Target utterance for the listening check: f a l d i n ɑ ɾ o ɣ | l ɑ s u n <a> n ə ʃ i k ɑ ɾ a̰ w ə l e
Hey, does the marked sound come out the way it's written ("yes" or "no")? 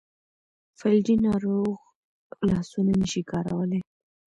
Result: yes